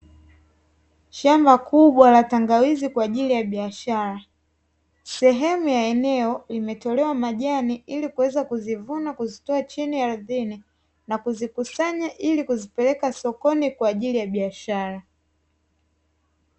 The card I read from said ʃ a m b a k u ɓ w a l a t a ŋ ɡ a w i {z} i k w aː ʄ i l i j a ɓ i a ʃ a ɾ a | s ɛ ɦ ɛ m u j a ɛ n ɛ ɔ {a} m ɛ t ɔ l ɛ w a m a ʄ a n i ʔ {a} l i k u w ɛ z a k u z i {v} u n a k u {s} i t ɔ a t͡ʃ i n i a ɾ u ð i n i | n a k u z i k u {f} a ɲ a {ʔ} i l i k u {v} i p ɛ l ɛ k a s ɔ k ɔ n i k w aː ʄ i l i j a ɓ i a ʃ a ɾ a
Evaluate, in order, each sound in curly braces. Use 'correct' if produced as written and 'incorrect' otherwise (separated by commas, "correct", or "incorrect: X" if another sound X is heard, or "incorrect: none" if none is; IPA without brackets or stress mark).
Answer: correct, incorrect: i, incorrect: i, correct, incorrect: z, incorrect: s, correct, incorrect: z